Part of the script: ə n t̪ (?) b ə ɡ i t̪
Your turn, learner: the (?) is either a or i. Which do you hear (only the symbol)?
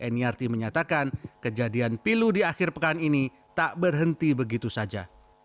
i